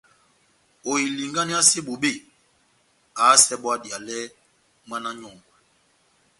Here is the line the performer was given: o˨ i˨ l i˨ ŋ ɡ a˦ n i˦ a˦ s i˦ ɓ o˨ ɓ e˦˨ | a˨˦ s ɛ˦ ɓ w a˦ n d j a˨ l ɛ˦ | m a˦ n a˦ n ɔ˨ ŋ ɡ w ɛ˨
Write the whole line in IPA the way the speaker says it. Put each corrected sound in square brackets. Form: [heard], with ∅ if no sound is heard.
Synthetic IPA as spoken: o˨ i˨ l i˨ ŋ ɡ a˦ n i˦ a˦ s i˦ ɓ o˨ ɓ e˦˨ | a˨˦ s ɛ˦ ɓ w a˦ [∅] d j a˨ l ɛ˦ | m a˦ n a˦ [ɲ] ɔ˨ ŋ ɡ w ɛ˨